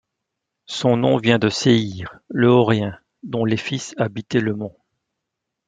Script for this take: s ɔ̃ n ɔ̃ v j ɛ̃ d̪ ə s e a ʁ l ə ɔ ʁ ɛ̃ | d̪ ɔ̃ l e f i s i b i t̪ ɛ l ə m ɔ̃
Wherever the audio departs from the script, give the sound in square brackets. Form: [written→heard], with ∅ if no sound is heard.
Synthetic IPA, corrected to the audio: s ɔ̃ n ɔ̃ v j ɛ̃ d̪ ə s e [a→i] ʁ l ə ɔ ʁ ɛ̃ | d̪ ɔ̃ l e f i s [i→a] b i t̪ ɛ l ə m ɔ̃